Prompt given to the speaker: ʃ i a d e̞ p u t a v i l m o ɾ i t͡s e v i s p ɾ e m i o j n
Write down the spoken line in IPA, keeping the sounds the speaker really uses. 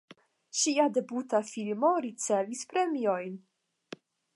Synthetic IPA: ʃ i a d e̞ b u t a f i l m o ɾ i t͡s e v i s p ɾ e m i o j n